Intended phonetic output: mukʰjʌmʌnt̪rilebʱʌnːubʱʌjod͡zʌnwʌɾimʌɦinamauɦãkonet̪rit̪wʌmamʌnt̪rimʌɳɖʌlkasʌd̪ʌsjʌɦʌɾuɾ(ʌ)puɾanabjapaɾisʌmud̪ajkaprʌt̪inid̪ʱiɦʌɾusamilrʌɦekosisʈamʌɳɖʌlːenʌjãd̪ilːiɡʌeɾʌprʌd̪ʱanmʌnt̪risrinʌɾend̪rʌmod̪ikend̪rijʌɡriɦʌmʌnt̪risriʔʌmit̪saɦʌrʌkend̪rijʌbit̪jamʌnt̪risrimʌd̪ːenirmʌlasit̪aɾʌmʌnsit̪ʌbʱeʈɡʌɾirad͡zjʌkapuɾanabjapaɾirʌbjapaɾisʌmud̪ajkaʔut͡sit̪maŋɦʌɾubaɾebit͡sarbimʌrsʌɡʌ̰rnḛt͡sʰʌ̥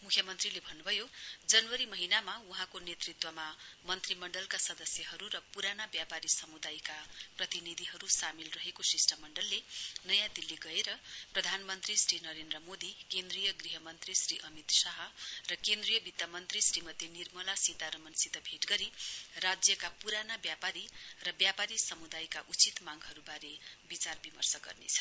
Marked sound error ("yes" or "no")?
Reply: no